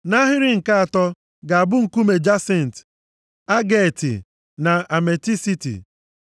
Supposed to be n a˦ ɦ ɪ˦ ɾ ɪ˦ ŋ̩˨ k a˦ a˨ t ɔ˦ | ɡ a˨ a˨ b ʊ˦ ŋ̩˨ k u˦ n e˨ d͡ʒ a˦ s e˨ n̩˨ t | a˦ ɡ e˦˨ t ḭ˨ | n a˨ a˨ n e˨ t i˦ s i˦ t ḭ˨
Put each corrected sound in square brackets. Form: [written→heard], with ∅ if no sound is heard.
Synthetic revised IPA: n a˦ ɦ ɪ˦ ɾ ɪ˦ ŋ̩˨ k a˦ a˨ t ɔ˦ | ɡ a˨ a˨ b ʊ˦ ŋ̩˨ k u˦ [n→m] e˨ d͡ʒ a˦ s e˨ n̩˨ t | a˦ ɡ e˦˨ t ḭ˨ | n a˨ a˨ [n→m] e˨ t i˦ s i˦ t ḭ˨